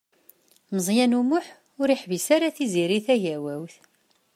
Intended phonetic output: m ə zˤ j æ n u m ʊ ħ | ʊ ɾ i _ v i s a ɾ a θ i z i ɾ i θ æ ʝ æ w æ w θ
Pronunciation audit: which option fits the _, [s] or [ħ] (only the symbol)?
ħ